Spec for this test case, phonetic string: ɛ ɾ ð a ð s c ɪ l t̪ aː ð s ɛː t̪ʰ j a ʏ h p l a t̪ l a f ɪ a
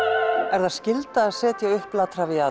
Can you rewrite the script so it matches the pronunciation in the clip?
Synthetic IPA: ɛ ɾ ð a ð s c ɪ l t̪ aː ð s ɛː t̪ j a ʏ h p l a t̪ ɾ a v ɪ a